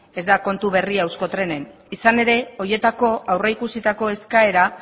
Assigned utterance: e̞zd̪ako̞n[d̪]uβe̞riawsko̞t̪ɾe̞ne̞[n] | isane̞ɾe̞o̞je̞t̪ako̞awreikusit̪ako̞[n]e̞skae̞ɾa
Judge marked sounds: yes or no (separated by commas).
no, yes, no